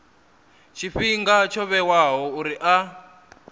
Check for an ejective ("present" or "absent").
absent